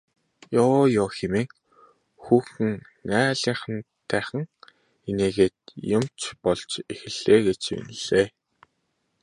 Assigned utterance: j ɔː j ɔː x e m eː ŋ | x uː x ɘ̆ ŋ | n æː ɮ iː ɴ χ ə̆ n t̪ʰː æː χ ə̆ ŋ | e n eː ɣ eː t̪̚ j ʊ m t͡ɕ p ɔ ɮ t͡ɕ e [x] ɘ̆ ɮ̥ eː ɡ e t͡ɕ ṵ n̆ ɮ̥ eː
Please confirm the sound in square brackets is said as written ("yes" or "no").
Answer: yes